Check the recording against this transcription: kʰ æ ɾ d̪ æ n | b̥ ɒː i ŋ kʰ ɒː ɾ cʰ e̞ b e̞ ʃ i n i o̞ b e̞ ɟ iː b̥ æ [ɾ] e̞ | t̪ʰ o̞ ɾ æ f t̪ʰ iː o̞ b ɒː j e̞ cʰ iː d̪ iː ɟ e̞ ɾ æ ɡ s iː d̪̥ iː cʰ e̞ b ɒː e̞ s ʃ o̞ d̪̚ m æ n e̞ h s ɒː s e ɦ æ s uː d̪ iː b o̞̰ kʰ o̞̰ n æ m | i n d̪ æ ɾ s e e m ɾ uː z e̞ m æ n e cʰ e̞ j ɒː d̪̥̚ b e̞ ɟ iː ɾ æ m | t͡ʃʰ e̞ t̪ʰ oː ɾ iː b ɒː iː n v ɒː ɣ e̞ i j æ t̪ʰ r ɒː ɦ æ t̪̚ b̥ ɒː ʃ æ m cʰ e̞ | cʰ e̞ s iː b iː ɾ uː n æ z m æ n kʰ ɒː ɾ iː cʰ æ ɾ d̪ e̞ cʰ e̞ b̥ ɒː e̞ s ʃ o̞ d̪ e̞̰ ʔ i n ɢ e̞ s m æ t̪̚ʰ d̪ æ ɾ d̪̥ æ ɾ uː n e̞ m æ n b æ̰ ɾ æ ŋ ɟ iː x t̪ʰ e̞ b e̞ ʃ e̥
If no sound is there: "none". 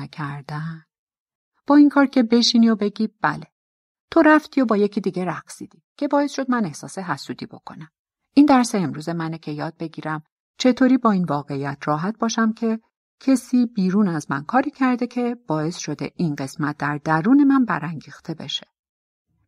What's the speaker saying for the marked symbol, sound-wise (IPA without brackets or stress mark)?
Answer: l